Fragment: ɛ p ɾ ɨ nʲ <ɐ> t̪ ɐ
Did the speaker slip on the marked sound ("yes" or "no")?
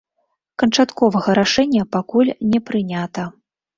yes